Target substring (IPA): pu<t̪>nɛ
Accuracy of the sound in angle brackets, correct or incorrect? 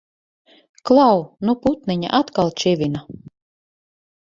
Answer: correct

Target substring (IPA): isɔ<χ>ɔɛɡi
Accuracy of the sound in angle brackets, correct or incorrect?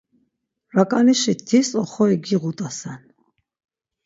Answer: correct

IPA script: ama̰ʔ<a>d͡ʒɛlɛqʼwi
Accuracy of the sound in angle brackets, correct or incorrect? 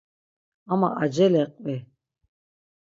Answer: correct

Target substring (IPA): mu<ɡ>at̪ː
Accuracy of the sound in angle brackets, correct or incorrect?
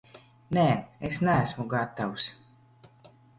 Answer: correct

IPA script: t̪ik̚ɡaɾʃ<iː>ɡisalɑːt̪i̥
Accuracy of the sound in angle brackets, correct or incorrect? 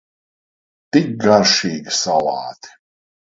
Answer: correct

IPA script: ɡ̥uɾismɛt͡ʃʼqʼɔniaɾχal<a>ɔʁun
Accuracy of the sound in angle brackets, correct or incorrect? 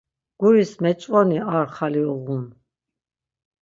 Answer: incorrect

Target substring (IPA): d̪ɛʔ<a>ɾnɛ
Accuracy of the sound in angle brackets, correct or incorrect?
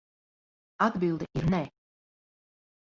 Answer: incorrect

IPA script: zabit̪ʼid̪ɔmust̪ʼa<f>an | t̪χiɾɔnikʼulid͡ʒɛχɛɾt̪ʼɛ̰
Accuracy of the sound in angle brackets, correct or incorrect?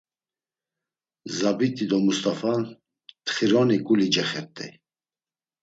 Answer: correct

